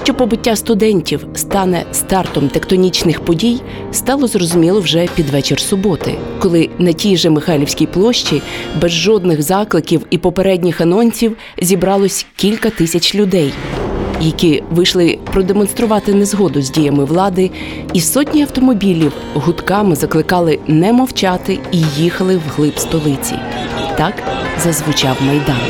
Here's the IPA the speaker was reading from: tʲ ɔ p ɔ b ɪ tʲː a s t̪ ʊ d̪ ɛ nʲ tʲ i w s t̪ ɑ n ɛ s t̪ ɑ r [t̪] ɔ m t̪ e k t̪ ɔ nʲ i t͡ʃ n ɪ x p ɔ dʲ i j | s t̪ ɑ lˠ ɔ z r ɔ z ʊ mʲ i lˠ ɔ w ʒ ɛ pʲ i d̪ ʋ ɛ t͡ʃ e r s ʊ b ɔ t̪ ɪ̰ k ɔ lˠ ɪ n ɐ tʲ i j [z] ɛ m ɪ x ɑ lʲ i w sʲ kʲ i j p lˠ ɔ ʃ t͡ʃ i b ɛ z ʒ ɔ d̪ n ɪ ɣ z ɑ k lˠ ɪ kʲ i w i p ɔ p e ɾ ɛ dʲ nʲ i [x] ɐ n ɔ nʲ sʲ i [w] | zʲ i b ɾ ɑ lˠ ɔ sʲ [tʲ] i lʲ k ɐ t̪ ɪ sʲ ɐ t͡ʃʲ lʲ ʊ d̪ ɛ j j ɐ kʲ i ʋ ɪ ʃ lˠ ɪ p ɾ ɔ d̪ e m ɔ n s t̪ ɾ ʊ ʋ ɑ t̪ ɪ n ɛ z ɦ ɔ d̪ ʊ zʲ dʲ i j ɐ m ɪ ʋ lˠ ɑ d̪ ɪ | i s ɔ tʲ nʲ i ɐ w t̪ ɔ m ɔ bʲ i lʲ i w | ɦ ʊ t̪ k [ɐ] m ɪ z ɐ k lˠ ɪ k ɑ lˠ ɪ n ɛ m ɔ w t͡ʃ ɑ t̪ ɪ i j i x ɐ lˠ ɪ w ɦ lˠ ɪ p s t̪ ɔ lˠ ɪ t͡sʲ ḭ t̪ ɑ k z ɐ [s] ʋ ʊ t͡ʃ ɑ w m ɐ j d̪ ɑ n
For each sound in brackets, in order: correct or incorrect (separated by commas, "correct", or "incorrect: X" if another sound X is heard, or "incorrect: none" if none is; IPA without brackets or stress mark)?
correct, incorrect: ʒ, correct, correct, incorrect: kʲ, incorrect: ɑ, incorrect: z